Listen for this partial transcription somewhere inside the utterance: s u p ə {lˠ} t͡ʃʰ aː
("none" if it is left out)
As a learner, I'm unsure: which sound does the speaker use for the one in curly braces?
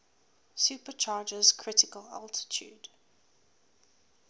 none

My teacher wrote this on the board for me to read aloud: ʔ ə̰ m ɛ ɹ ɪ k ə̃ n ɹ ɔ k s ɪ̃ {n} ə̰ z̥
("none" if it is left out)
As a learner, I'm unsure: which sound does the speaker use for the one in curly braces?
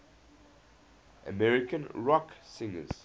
ŋ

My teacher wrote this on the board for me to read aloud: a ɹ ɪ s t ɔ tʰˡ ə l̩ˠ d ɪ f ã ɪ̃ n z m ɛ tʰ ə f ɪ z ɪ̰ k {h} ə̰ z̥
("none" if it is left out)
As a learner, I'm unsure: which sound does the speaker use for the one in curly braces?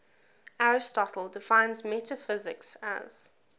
s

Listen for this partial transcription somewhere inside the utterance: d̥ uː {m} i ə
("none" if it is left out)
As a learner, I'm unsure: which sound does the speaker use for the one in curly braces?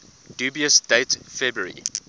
b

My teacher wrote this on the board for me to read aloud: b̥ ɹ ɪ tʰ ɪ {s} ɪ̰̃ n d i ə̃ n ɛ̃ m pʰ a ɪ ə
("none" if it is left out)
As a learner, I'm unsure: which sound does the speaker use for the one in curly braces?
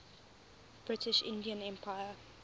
ʃ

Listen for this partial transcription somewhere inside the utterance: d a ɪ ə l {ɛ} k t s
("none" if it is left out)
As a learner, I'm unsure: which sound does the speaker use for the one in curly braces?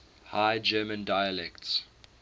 ɛ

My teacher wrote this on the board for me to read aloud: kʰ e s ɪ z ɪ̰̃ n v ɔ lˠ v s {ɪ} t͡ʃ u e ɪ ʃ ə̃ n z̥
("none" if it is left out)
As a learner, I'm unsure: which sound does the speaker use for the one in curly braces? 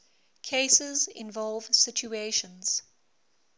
ɪ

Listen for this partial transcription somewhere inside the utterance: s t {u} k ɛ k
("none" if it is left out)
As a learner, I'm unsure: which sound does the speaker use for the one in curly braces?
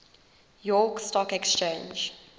ɔ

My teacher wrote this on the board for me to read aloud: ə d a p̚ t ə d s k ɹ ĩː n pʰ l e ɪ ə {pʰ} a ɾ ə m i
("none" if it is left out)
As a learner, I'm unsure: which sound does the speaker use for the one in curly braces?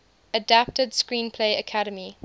kʰ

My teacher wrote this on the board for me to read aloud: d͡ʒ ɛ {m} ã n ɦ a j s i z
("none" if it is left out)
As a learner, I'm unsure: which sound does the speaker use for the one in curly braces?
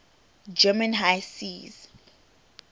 m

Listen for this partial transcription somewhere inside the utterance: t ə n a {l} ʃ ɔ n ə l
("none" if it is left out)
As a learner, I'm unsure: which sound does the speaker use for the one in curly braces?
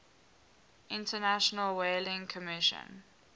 none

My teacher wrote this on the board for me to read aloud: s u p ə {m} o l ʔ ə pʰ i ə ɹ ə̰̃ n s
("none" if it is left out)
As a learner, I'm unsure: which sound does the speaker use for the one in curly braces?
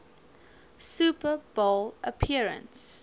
b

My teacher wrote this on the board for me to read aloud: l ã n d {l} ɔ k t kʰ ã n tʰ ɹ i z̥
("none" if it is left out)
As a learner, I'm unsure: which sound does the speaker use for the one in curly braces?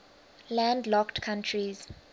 l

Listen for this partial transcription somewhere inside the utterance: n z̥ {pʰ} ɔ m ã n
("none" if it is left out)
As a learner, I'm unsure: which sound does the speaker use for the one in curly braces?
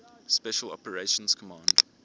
kʰ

